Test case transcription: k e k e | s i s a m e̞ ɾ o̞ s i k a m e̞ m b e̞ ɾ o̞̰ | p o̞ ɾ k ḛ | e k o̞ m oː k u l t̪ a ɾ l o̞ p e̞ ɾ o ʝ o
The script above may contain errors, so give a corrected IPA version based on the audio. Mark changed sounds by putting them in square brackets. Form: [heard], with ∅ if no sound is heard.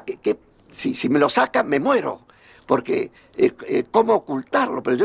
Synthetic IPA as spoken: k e k e | s i s [i] m e̞ [l] o̞ s [a] k a m e̞ m [w] e̞ ɾ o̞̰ | p o̞ ɾ k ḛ | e k o̞ m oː k u l t̪ a ɾ l o̞ p e̞ ɾ o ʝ o